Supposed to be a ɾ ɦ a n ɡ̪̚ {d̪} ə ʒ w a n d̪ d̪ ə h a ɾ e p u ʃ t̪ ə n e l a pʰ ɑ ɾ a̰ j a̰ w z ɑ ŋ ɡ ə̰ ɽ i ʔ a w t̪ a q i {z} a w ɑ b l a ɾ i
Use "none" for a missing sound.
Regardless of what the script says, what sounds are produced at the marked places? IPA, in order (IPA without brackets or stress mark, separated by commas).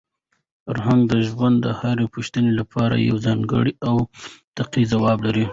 d̪, z